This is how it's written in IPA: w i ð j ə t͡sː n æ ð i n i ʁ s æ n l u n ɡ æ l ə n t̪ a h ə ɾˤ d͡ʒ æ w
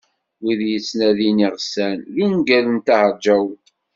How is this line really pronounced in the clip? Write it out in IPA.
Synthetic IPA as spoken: w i ð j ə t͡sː n æ ð i n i ʁ s æ n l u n ɡ æ l ə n t̪ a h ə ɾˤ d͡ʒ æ w